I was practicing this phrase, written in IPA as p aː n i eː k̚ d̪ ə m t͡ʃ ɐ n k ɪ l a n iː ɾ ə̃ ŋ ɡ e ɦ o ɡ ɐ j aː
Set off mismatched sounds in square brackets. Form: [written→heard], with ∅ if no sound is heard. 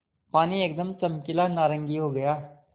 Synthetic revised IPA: p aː n i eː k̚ d̪ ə m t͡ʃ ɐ [n→m] k ɪ l a n [iː→aː] ɾ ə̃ ŋ ɡ [e→i] ɦ o ɡ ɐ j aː